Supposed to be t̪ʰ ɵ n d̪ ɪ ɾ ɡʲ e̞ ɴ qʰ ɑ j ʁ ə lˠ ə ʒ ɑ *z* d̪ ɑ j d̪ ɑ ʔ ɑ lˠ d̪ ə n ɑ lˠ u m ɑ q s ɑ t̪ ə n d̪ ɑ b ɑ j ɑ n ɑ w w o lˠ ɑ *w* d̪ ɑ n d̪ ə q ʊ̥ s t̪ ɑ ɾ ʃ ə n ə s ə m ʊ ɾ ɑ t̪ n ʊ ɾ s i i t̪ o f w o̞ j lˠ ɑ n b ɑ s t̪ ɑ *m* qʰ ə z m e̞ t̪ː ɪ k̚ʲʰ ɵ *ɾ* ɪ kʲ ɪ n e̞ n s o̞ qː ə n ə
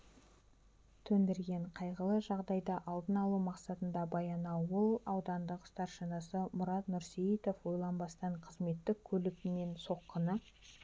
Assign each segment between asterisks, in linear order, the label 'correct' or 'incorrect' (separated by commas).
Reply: incorrect, correct, incorrect, incorrect